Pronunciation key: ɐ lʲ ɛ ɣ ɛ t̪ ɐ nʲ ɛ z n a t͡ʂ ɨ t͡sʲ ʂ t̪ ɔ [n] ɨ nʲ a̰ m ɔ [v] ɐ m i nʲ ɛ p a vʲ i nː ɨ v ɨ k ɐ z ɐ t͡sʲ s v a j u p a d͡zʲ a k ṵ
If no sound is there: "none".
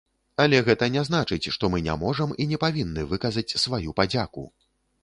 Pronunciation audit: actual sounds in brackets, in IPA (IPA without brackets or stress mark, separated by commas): m, ʐ